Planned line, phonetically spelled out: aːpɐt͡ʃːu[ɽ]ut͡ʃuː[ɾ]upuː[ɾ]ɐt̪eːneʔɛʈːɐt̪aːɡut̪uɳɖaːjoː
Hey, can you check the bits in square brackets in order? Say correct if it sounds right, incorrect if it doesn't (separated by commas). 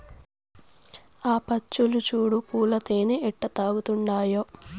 incorrect, incorrect, incorrect